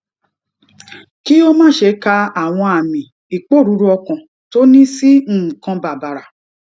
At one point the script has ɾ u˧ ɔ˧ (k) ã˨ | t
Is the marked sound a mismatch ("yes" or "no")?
no